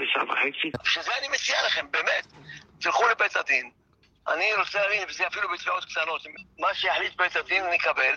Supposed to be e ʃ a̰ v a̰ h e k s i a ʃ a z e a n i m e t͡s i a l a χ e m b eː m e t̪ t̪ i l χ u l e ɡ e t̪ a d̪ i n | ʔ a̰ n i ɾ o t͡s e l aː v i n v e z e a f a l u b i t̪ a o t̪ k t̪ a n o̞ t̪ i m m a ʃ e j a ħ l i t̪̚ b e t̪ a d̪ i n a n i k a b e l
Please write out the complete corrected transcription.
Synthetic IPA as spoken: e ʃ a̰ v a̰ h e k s i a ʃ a z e a n i m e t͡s i a l a χ e m b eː m e t̪ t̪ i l χ u l e b e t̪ a d̪ i n | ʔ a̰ n i ɾ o t͡s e l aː v i n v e z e a f i l u b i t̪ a o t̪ k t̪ a n o̞ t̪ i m m a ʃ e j a ħ l i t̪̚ b e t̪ a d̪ i n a n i k a b e l